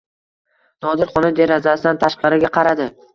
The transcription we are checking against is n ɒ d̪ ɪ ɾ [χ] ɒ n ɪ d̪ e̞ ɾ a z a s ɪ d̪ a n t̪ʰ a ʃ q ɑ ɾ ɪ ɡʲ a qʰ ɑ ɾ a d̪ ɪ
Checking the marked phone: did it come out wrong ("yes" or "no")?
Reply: no